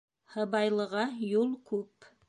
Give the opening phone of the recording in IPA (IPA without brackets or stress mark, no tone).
h